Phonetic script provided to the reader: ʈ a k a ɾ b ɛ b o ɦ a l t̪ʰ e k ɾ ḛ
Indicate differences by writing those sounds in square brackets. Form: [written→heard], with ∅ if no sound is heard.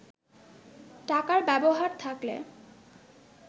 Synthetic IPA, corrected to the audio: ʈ a k a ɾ b ɛ b o ɦ a [l→ɾ] t̪ʰ [e→a] k [ɾ→l] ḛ